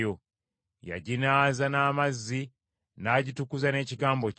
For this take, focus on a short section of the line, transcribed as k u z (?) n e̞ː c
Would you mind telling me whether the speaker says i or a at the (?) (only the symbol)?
a